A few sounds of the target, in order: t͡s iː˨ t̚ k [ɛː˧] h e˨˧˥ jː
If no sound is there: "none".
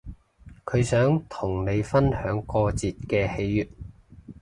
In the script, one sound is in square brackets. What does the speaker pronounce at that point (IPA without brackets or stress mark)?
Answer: ɛː˧